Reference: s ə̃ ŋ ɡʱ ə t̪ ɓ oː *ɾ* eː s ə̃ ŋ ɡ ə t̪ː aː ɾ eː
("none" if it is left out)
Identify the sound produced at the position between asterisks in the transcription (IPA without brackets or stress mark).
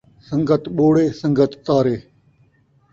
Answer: ɽ